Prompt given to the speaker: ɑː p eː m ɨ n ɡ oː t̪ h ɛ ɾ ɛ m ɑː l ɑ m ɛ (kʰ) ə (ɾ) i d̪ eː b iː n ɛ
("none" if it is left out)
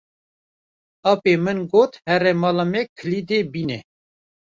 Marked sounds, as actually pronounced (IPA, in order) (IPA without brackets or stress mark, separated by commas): kʰ, l